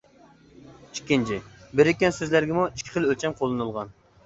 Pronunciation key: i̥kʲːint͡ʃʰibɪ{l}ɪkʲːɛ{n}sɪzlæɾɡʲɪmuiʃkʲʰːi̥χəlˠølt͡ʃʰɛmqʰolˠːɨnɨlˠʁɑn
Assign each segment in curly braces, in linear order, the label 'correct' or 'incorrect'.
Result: incorrect: ɾ, correct

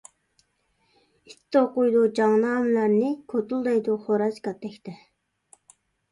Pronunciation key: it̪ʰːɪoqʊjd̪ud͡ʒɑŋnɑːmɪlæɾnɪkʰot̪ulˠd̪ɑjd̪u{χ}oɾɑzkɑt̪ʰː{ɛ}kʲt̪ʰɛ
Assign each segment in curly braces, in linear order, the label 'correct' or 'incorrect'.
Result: correct, correct

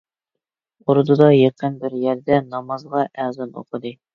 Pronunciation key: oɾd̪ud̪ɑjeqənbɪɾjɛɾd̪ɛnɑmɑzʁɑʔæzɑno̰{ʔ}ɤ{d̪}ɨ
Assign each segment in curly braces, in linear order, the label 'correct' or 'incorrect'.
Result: incorrect: q, correct

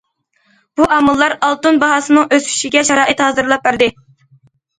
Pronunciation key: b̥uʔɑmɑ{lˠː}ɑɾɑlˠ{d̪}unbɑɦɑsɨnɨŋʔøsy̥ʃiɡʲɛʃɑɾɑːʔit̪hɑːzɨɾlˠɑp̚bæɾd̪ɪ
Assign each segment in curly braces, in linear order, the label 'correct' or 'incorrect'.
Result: correct, incorrect: t̪

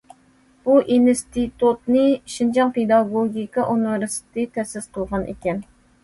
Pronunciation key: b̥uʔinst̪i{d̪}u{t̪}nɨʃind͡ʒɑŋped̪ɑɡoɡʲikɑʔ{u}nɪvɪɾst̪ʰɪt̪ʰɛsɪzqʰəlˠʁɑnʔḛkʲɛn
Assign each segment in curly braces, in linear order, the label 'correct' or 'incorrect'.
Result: incorrect: t̪, correct, correct

